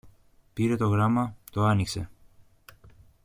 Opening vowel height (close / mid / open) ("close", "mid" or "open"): close